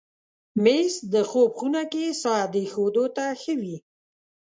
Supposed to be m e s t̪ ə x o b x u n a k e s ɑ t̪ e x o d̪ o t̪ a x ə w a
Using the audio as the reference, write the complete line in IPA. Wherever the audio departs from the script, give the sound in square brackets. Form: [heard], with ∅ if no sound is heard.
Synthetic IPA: m e s [d̪] ə x o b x u n a k e s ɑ [d̪] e x o d̪ o t̪ a x ə w [i]